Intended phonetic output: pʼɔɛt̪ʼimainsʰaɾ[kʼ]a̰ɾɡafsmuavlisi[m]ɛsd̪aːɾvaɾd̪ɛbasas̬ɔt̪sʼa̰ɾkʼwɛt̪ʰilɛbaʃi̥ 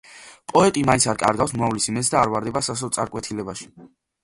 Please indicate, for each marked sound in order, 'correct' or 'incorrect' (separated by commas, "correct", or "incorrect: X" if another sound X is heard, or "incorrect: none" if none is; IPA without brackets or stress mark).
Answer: correct, correct